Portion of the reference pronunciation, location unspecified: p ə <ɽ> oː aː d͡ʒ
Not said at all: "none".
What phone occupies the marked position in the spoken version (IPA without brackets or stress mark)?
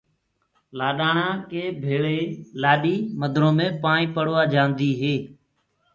ɽ